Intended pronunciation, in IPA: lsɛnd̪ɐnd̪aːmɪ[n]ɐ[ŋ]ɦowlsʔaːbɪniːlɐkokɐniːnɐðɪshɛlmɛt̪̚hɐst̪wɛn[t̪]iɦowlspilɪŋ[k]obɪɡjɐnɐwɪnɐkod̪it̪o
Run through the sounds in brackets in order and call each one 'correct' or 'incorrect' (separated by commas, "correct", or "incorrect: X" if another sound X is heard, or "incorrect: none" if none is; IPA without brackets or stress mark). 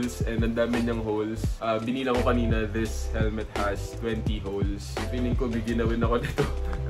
incorrect: ɲ, correct, correct, correct